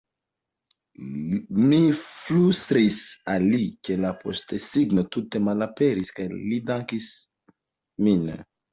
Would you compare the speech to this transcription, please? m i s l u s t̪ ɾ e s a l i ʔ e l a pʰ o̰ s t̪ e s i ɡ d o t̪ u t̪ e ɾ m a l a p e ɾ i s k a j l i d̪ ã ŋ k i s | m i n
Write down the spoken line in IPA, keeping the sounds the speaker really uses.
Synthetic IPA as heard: m i f l u s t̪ ɾ i s a l i k e l a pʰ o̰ s t̪ e s i ɡ n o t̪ u t̪ e m a l a p e ɾ i s k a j l i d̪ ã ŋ k i s | m i n

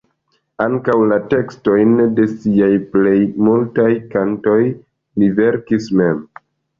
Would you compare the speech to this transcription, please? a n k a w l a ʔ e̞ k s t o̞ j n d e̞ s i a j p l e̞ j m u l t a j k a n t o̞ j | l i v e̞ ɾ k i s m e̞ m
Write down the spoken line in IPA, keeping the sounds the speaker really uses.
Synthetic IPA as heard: a ŋ k a w l a t e̞ k s t o̞ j n d e̞ s i a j p l e̞ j m u l t a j k a n t o̞ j | l i v e̞ ɾ k i s m e̞ m

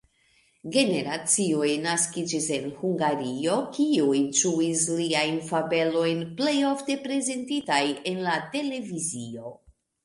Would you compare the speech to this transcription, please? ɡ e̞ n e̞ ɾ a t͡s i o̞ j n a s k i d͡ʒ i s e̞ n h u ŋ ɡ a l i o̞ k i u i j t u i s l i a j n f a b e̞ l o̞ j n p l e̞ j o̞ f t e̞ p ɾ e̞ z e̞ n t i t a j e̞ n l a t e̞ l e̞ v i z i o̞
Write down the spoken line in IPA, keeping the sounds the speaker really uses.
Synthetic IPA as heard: ɡ e̞ n e̞ ɾ a t͡s i o̞ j n a s k i d͡ʒ i s e̞ n h u ŋ ɡ a ɾ i o̞ k i u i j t u i s l i a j n f a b e̞ l o̞ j n p l e̞ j o̞ f t e̞ p ɾ e̞ z e̞ n t i t a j e̞ n l a t e̞ l e̞ v i z i o̞

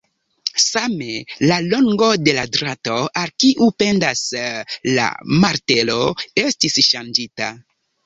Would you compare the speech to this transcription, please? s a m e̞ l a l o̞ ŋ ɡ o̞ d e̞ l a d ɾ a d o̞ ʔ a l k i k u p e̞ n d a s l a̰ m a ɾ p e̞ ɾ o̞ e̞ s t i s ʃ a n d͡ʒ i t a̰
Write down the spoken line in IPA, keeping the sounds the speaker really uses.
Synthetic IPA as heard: s a m e̞ l a l o̞ ŋ ɡ o̞ d e̞ l a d ɾ a t o̞ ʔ a l k i ʔ u p e̞ n d a s l a̰ m a ɾ t e̞ l o̞ e̞ s t i s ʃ a n d͡ʒ i t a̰

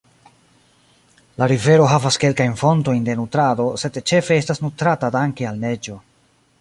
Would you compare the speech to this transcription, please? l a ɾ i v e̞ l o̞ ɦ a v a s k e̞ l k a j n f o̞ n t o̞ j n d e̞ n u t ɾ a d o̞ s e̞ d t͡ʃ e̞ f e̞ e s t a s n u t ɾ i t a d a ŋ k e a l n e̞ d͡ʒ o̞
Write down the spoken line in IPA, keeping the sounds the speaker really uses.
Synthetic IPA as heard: l a ɾ i v e̞ ɾ o̞ ɦ a v a s k e̞ l k a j n f o̞ n t o̞ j n d e̞ n u t ɾ a d o̞ s e̞ d t͡ʃ e̞ f e̞ e s t a s n u t ɾ a t a d a ŋ k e a l n e̞ d͡ʒ o̞

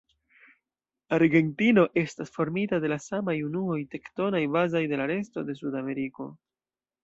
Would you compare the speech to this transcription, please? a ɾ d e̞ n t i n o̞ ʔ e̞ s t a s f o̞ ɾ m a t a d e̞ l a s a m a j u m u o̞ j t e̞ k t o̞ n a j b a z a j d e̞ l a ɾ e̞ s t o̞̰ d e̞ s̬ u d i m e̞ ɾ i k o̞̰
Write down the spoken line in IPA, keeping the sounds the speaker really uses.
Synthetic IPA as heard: a ɾ ɡ e̞ n t i n o̞ ʔ e̞ s t a s f o̞ ɾ m i t a d e̞ l a s a m a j u n u o̞ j t e̞ k t o̞ n a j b a z a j d e̞ l a ɾ e̞ s t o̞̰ d e̞ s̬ u d a m e̞ ɾ i k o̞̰

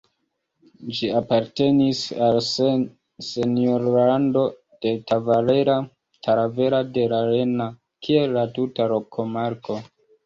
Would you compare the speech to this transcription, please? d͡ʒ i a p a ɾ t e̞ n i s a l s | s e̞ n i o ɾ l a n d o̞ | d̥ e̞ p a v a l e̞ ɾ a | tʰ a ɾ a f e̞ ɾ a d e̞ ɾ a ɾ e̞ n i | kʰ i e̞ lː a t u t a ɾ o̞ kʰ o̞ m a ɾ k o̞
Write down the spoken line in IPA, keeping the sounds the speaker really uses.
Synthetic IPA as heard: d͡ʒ i a p a ɾ t e̞ n i s a l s | s e̞ n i o ɾ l a n d o̞ | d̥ e̞ t a v a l e̞ ɾ a | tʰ a ɾ a v e̞ ɾ a d e̞ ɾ a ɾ e̞ n a | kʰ i e̞ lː a t u t a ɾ o̞ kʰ o̞ m a ɾ k o̞

